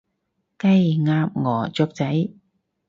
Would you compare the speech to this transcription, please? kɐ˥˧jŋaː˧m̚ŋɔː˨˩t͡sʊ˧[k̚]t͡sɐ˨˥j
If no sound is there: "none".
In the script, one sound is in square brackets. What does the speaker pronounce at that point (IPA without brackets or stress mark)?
k̚